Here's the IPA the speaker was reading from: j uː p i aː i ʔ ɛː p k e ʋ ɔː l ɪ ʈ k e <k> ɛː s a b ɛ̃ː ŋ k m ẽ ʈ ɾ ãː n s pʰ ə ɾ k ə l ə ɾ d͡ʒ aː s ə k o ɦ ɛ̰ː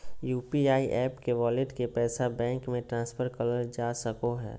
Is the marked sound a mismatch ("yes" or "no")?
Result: yes